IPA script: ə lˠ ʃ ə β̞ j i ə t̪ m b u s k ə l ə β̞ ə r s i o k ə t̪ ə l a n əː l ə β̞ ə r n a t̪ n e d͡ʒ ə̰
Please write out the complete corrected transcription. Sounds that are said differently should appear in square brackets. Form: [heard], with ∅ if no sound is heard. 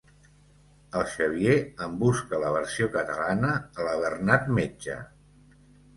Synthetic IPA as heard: ə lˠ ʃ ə β̞ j [e] ə [∅] m b u s k ə l ə β̞ ə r s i o k ə t̪ ə l a n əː l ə β̞ ə r n a t̪ [m] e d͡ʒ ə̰

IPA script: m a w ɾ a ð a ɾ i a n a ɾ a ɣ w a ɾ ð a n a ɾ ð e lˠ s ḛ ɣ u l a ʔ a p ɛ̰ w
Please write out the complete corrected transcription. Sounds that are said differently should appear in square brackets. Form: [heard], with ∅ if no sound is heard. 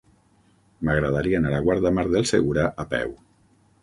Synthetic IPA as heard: m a [ɣ] ɾ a ð a ɾ i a n a ɾ a ɣ w a ɾ ð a [m] a ɾ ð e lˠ s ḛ ɣ u [ɾ] a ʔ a p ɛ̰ w

